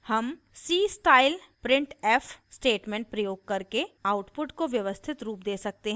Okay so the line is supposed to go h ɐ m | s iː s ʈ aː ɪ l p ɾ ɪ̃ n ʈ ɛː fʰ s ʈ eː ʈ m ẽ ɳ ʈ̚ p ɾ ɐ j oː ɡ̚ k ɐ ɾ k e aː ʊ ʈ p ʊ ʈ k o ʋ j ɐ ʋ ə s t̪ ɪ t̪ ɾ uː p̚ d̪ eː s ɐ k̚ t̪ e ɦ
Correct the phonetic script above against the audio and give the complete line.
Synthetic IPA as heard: h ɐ m | s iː s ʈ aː ɪ l p ɾ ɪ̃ ɳ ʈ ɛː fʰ s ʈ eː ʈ m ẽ ɳ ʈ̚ p ɾ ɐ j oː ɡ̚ k ɐ ɾ k e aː ʊ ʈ p ʊ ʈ k o ʋ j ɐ ʋ ə s t̪ʰ ɪ t̪ ɾ uː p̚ d̪ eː s ɐ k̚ t̪ e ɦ